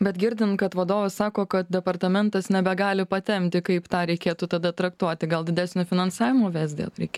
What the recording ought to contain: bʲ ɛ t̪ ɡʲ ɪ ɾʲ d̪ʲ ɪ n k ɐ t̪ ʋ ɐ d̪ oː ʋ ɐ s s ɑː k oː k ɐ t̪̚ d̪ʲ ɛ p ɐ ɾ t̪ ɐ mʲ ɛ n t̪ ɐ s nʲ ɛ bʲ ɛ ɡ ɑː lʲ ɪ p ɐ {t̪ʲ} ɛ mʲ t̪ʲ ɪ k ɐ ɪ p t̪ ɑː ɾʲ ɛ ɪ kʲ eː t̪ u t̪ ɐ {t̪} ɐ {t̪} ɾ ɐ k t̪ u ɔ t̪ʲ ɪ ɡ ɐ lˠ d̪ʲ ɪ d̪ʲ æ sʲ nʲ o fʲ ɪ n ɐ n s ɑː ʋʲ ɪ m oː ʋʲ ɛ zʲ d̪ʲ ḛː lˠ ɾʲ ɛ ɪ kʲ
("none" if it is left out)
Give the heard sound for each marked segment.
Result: t̪ʲ, d̪, t̪

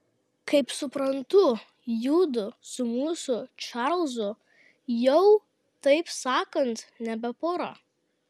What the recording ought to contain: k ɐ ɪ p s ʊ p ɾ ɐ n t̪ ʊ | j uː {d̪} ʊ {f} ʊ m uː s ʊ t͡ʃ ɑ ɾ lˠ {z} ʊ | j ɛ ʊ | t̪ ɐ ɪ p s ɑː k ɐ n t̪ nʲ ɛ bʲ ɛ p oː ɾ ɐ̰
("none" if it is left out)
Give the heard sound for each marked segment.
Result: d̪, s, z

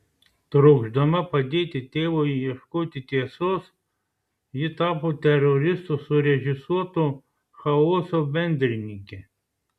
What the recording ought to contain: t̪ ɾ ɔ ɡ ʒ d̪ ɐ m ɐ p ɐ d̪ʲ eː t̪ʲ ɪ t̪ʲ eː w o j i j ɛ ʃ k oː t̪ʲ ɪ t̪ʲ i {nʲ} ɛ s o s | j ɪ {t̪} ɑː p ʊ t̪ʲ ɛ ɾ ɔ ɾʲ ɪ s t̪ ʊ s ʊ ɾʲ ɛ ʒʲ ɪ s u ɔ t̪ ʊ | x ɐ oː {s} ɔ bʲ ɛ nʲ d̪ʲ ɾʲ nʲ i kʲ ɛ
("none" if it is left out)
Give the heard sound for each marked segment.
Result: none, t̪, s

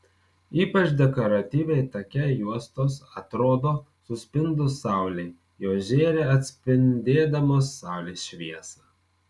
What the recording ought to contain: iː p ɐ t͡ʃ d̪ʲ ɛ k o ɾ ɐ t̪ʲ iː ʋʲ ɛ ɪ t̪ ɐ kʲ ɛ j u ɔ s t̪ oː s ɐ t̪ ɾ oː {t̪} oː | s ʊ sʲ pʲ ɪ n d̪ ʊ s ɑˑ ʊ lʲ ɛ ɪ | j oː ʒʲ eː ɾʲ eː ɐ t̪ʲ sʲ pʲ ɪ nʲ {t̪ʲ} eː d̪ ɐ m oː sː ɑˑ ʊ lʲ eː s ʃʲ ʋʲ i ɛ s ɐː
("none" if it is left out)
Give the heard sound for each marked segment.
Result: d̪, d̪ʲ

